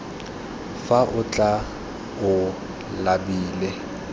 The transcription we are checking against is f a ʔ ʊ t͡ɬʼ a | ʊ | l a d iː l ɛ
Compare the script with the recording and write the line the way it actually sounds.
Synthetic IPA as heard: f a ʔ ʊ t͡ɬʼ a | ʊ | l a b iː l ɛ